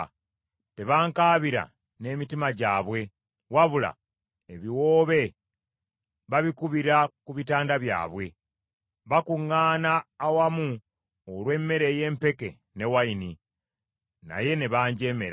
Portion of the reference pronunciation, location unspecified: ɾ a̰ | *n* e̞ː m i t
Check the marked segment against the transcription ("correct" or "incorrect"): correct